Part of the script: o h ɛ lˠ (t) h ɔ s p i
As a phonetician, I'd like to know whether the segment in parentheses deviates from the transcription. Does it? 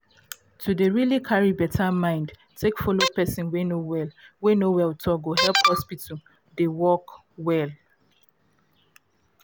yes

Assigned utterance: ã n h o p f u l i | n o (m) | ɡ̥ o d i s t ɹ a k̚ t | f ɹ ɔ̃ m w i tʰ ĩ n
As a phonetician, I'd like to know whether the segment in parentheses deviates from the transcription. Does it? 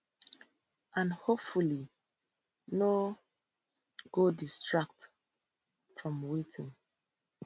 yes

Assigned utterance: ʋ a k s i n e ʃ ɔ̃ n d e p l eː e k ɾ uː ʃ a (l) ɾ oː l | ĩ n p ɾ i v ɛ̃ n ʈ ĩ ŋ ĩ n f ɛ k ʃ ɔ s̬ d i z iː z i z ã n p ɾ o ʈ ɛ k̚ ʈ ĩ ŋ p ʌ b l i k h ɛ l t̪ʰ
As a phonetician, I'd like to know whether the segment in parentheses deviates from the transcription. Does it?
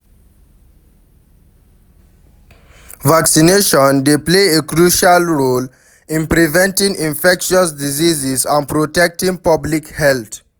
no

